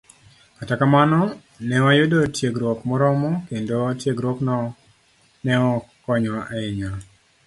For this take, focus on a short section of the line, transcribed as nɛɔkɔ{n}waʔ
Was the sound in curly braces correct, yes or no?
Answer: no